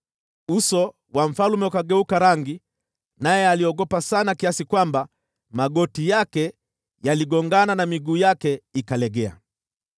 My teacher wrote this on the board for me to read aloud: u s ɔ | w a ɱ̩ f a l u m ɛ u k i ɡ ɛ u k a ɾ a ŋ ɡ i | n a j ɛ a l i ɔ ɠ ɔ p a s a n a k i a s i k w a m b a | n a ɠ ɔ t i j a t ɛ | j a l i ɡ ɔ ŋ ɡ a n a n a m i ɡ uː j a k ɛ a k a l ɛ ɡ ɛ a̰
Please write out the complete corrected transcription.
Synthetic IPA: u s ɔ | w a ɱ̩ f a l u m ɛ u k a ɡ ɛ u k a ɾ a ŋ ɡ i | n a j ɛ a l i ɔ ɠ ɔ p a s a n a k i a s i k w a m b a | m a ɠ ɔ t i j a k ɛ | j a l i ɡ ɔ ŋ ɡ a n a n a m i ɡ uː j a k ɛ i k a l ɛ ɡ ɛ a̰